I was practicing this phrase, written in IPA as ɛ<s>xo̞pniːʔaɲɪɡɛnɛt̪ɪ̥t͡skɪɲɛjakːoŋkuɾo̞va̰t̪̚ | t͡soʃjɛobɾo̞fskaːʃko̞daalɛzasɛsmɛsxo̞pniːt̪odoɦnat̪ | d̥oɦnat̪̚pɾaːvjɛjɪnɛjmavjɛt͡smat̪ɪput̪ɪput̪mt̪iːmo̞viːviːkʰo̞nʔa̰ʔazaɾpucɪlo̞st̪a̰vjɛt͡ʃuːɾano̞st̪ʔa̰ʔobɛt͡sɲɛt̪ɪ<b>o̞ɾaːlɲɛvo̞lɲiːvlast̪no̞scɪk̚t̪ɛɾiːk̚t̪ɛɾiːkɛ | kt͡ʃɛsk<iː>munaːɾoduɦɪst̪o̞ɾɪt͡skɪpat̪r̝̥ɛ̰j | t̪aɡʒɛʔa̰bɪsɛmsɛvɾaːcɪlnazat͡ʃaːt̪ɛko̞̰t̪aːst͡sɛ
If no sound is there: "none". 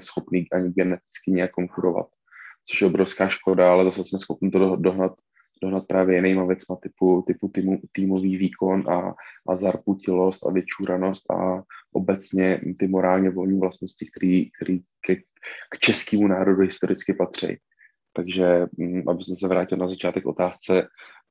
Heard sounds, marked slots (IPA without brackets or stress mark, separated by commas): s, m, iː